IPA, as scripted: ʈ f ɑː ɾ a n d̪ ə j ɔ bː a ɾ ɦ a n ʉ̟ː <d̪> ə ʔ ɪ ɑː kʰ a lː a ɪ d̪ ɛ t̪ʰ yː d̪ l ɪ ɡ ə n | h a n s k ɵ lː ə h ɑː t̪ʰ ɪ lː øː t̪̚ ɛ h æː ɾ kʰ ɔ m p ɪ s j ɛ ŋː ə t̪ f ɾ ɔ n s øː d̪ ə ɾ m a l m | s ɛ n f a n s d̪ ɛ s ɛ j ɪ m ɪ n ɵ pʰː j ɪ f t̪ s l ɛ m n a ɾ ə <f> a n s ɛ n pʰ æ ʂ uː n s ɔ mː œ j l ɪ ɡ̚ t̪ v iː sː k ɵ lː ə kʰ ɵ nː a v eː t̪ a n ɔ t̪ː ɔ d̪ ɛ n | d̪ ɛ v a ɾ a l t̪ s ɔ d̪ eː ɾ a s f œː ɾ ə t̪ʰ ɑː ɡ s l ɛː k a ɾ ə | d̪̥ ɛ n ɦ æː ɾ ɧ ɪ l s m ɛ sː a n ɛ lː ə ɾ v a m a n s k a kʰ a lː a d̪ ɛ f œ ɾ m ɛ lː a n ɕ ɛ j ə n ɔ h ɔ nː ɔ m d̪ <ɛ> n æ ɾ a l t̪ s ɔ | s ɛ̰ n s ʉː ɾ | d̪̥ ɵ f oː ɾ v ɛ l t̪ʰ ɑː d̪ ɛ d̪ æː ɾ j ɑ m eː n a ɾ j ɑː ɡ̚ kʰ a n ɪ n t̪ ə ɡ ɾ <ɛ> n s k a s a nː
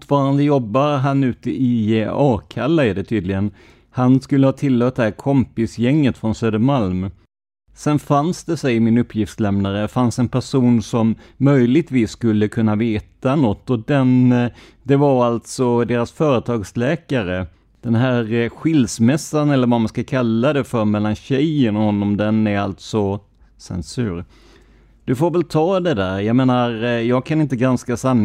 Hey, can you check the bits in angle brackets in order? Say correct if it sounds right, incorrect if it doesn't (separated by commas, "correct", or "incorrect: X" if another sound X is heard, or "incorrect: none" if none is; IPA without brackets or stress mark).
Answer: incorrect: t̪, correct, correct, incorrect: a